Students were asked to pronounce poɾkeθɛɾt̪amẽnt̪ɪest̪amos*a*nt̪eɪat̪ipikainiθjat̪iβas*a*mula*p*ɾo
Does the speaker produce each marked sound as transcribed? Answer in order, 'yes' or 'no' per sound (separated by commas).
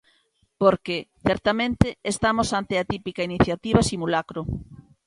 yes, no, no